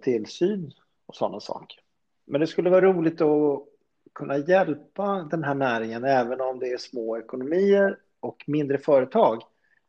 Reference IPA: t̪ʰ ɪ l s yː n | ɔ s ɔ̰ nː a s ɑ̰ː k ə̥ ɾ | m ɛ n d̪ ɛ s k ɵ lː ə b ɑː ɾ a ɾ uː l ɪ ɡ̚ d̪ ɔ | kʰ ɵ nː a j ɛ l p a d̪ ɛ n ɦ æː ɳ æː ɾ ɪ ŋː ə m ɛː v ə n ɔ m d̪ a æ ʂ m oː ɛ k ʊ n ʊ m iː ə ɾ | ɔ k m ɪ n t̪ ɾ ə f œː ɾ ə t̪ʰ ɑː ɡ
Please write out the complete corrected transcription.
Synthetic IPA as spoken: t̪ʰ ɪ l s yː n | ɔ s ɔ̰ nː a s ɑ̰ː k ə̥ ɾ | m ɛ n d̪ ɛ s k ɵ lː ə v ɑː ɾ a ɾ uː l ɪ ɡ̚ t̪ ɔ | kʰ ɵ nː a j ɛ l p a d̪ ɛ n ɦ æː ɳ æː ɾ ɪ ŋ ə n ɛː v ə n ɔ m d̪ ɛ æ ʂ m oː ɛ k ʊ n ʊ m iː ə ɾ | ɔ k m ɪ n d̪ ɾ ə f œː ɾ ə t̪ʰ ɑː ɡ